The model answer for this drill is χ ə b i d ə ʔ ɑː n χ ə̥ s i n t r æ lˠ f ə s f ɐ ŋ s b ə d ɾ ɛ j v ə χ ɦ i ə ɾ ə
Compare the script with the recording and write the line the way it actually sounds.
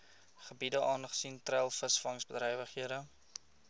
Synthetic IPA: χ ə b i d ə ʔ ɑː n χ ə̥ s i n t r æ lˠ f ə s f ɐ ŋ s b ə d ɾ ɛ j v ə χ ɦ i ə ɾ ə